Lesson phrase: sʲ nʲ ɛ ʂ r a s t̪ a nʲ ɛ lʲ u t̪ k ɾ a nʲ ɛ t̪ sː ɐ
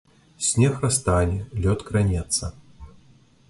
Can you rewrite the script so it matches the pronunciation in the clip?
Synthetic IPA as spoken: sʲ nʲ ɛ x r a s t̪ a nʲ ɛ lʲ ɔ t̪ k ɾ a nʲ ɛ t̪ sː ɐ